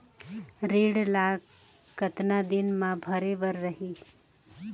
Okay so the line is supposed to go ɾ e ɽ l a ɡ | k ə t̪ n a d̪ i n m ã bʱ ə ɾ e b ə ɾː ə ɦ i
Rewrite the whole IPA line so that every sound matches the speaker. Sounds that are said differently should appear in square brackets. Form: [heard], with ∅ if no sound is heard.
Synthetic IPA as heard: ɾ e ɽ l a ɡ | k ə t̪ n a d̪ i n m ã bʱ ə ɾ e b ə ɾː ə ɦ i